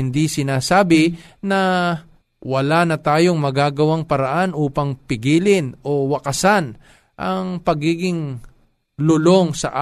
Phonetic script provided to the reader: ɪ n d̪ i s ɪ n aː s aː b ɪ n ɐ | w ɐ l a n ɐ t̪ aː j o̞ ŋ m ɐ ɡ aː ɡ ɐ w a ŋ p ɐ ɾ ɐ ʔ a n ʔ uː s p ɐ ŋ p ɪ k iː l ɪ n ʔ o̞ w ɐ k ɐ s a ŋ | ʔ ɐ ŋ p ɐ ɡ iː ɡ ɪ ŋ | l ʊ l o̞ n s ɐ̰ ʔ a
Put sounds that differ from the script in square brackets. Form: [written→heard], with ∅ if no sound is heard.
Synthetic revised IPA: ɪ n d̪ i s ɪ n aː s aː b ɪ n ɐ | w ɐ l a n ɐ t̪ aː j o̞ ŋ m ɐ ɡ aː ɡ ɐ w a ŋ p ɐ ɾ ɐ ʔ a n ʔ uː [s→∅] p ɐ ŋ p ɪ [k→ɡ] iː l ɪ n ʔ o̞ w ɐ k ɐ s a [ŋ→n] | ʔ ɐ ŋ p ɐ ɡ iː ɡ ɪ ŋ | l ʊ l o̞ [n→ŋ] s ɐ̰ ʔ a